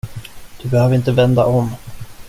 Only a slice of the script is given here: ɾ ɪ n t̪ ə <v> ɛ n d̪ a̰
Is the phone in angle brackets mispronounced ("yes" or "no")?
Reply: no